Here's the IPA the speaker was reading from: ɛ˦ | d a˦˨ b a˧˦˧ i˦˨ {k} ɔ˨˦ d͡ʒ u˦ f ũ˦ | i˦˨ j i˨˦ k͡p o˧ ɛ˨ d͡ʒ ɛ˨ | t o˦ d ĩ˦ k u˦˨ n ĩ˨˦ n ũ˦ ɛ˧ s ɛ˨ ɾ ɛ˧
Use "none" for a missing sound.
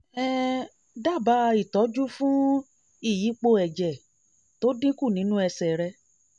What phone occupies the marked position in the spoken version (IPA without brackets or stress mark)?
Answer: t